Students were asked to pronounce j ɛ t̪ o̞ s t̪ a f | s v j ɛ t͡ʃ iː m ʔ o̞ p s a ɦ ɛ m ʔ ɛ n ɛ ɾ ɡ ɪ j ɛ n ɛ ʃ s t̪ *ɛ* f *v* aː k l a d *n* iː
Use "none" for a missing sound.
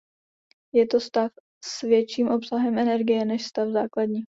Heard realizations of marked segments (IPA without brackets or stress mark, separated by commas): a, z, ɲ